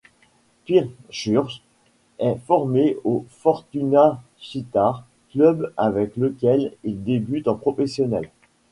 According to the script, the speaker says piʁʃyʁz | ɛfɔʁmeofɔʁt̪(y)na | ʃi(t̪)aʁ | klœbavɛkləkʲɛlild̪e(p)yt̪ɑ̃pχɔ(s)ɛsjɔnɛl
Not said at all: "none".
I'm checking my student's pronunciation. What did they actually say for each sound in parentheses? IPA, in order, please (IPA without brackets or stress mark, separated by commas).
y, t̪, b, f